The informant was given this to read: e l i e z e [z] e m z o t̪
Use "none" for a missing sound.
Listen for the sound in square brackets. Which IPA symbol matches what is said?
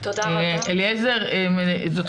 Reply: ʁ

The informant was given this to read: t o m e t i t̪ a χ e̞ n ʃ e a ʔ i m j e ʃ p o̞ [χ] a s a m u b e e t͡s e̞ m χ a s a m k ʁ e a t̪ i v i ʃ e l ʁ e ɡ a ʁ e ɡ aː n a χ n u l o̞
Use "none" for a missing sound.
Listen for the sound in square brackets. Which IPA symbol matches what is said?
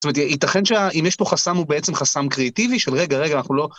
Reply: χ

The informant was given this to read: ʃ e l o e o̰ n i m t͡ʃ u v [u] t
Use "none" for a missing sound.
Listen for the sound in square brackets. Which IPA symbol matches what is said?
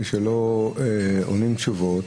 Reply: o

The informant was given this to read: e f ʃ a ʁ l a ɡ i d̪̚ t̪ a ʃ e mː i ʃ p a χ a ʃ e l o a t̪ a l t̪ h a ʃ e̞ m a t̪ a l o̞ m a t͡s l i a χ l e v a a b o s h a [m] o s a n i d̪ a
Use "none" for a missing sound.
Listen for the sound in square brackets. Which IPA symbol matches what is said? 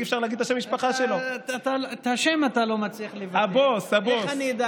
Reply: b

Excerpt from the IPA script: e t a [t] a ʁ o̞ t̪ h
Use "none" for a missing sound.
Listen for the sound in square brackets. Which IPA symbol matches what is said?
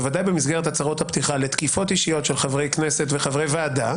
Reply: t͡s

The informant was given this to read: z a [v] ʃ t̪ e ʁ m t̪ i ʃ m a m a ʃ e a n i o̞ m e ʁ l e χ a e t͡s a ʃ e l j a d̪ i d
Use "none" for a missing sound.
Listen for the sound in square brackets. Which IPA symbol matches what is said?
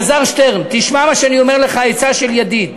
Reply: ʁ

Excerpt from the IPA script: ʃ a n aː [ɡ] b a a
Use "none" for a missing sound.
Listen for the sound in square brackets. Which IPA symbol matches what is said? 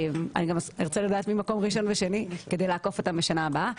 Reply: none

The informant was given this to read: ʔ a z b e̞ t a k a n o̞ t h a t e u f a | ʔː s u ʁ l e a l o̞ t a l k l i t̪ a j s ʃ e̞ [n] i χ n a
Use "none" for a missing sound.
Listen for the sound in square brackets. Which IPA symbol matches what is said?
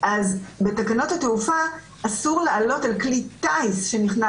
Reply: n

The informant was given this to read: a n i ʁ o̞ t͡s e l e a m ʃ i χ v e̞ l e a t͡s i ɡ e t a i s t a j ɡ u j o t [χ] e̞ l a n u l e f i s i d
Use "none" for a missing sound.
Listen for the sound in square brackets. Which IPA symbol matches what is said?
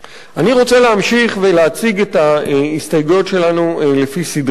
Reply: ʃ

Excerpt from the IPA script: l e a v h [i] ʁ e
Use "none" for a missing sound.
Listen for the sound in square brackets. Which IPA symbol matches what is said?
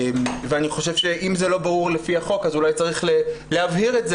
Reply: i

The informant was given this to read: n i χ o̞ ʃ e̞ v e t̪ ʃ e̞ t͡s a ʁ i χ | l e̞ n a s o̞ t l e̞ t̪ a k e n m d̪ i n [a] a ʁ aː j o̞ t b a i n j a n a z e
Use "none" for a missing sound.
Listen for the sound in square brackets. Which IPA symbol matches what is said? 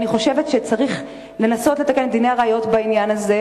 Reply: e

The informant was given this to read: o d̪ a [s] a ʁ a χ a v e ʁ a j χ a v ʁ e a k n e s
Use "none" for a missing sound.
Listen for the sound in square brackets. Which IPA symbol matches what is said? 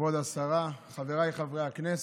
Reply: s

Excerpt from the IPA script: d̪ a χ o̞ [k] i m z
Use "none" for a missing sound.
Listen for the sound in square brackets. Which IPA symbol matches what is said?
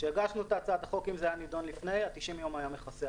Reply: k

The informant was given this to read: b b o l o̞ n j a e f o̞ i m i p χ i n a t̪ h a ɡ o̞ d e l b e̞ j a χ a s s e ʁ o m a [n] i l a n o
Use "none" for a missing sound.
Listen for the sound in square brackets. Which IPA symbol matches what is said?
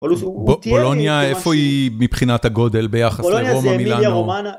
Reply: m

